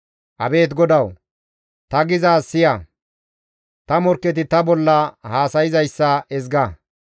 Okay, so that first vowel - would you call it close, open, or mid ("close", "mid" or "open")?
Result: open